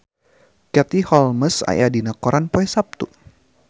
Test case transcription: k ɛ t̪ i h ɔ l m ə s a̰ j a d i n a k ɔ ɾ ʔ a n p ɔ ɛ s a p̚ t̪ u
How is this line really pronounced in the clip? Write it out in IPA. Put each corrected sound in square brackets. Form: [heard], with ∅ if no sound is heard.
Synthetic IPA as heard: k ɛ t̪ i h ɔ l m ə s a̰ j a d i n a k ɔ ɾ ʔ a n p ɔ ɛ s a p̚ t̪ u